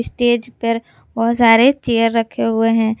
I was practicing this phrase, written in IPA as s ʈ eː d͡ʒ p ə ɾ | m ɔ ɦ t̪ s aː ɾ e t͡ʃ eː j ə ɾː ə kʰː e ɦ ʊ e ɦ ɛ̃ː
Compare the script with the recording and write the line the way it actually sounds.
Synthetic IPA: s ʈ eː d͡ʒ p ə ɾ | b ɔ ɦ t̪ s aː ɾ e t͡ʃ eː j ə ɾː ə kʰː e ɦ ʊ e ɦ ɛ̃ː